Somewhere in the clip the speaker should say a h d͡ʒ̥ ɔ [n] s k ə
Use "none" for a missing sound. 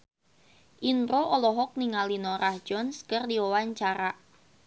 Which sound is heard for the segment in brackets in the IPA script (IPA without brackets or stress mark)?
n